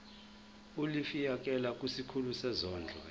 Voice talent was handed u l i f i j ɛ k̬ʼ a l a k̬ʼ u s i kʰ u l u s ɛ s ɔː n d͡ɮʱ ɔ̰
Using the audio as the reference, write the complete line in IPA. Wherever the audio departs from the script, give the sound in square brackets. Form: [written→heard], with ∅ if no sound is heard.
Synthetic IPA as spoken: u l i f i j [ɛ→a] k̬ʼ [a→ɛ] l a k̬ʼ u s i kʰ u l u s ɛ [s→z] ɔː n d͡ɮʱ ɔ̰